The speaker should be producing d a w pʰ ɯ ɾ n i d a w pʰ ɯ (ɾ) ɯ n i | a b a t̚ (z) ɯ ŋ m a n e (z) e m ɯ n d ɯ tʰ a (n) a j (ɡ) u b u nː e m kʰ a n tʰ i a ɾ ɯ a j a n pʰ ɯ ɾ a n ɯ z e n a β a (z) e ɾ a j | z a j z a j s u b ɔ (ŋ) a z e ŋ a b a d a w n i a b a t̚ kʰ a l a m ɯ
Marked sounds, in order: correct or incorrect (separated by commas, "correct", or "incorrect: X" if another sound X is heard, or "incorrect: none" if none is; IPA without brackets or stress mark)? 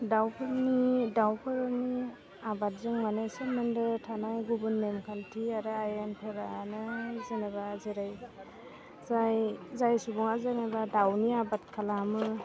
correct, correct, incorrect: s, correct, correct, correct, correct